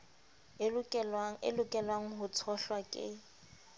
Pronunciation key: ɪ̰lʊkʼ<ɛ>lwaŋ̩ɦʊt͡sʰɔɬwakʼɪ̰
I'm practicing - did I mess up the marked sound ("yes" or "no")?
no